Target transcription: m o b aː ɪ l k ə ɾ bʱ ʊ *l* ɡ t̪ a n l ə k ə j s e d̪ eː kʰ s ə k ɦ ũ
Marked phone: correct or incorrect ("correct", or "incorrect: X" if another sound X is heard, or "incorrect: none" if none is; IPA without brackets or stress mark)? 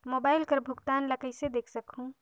incorrect: none